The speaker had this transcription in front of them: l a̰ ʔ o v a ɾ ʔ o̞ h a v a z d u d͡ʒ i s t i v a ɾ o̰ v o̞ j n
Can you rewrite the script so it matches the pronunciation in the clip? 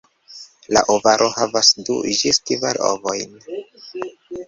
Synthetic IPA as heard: l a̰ ʔ o v a ɾ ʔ o̞ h a v a s d u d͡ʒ i s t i v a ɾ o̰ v o̞ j n